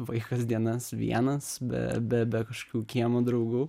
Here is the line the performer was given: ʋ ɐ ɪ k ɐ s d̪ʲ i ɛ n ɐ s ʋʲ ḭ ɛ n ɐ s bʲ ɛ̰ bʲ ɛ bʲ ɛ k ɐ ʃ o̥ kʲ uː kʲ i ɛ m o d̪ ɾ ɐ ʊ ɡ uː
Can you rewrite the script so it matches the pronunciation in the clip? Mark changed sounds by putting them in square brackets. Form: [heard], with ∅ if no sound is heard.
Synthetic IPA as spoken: ʋ ɐ ɪ k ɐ s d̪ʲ i ɛ n ɐ s ʋʲ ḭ ɛ n ɐ s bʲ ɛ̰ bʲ ɛ bʲ ɛ k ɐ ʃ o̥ kʲ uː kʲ i ɛ m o d̪ ɾ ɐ ʊ ɡ uː